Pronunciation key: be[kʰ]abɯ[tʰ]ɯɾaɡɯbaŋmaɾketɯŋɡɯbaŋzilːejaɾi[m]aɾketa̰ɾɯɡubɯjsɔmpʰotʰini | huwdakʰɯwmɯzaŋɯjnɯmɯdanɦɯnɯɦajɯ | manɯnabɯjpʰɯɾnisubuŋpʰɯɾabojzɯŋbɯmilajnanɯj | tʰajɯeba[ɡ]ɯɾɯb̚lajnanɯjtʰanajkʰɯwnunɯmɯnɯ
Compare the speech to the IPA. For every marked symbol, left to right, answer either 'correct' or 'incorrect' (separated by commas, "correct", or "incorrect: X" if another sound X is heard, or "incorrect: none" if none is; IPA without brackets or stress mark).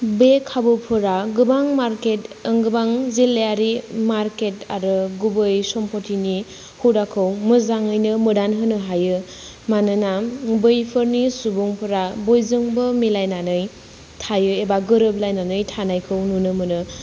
correct, incorrect: pʰ, correct, correct